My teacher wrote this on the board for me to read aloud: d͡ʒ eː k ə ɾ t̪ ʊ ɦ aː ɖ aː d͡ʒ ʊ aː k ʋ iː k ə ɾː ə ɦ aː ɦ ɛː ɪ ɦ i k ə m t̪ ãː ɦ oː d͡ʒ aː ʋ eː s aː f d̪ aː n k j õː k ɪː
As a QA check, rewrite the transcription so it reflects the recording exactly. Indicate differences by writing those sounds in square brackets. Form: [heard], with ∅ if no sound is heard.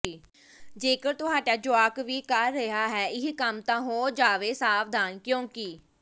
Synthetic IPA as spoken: d͡ʒ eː k ə ɾ t̪ ʊ ɦ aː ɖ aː d͡ʒ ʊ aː k ʋ iː k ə ɾː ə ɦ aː ɦ ɛː ɪ ɦ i k ə m t̪ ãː ɦ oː d͡ʒ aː ʋ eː s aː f d̪ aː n k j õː k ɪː

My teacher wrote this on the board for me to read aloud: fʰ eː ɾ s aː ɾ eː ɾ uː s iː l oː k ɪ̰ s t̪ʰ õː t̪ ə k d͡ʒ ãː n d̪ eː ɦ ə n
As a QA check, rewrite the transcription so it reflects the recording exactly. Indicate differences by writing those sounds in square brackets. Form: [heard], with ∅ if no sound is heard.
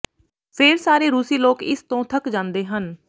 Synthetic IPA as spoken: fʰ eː ɾ s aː ɾ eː ɾ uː s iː l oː k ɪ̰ s [t̪] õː [t̪ʰ] ə k d͡ʒ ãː n d̪ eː ɦ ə n

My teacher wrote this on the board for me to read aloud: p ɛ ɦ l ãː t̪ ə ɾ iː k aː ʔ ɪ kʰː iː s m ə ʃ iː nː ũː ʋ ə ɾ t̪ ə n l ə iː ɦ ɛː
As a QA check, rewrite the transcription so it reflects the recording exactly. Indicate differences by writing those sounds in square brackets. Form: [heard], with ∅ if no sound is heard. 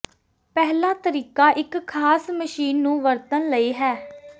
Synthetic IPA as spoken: p ɛ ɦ l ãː t̪ ə ɾ iː k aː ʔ ɪ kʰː [aː] s m ə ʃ iː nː ũː ʋ ə ɾ t̪ ə n l ə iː ɦ ɛː

